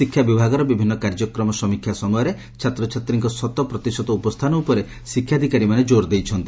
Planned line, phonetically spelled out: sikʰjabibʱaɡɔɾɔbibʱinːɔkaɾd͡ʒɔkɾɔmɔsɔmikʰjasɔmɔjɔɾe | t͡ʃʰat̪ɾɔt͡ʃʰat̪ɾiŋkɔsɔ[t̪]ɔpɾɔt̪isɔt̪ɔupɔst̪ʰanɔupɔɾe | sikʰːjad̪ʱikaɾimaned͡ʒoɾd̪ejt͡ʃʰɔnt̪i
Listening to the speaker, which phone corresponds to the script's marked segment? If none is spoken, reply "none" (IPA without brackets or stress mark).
t̪